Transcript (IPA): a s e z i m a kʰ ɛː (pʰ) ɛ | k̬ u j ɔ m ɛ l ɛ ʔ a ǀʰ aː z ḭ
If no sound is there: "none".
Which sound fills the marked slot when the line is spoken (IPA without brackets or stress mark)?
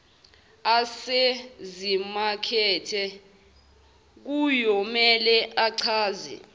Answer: tʰ